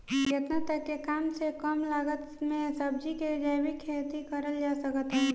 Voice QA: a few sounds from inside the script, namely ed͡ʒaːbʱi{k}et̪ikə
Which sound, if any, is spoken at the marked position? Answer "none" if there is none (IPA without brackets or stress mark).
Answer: kʰ